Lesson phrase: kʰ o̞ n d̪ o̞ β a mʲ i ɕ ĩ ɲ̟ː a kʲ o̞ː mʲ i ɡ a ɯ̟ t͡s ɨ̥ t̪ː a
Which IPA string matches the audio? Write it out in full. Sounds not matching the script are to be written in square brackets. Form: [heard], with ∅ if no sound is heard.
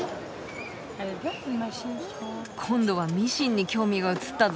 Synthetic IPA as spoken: kʰ [õ̞] n d̪ o̞ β a mʲ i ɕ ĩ ɲ̟ː [i] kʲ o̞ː mʲ i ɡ a ɯ̟ t͡s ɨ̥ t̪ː a